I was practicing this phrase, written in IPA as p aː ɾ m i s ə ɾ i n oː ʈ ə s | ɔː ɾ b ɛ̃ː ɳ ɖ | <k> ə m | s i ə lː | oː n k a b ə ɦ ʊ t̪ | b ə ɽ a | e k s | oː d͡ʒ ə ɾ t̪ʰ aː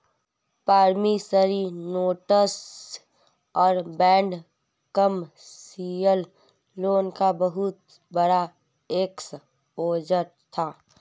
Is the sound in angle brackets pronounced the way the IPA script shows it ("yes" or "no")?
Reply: yes